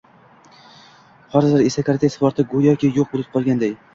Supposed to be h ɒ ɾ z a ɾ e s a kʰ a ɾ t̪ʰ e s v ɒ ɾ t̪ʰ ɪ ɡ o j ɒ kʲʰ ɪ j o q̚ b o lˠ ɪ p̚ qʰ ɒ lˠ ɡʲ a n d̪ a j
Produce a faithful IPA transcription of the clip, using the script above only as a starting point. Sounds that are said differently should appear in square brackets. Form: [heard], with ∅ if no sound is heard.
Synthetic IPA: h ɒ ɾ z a ɾ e s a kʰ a ɾ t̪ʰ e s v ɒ ɾ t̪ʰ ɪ ɡ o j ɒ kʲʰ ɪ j o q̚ b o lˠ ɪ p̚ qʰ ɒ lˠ ɡʲ a n d̪ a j